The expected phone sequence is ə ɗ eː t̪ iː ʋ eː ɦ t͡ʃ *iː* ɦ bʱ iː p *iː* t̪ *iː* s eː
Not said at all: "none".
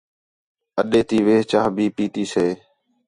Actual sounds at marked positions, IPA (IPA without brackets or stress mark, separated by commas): aː, iː, iː